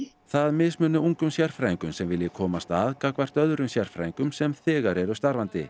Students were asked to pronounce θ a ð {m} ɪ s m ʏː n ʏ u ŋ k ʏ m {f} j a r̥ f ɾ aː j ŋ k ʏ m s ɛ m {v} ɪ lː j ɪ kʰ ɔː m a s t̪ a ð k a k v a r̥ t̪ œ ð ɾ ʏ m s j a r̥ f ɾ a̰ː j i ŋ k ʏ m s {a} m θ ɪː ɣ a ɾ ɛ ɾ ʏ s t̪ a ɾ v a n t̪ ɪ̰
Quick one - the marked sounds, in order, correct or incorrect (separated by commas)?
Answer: correct, incorrect, correct, incorrect